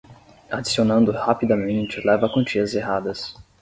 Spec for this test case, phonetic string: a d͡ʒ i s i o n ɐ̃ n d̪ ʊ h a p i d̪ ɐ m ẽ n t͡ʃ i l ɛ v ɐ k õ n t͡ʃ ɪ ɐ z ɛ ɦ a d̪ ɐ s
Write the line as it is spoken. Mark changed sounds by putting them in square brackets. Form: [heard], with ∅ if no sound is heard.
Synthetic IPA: a d͡ʒ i s i o n ɐ̃ n d̪ ʊ h a p i d̪ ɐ m ẽ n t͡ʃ [ɪ] l ɛ v ɐ k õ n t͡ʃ [i] ɐ z [e] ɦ a d̪ ɐ s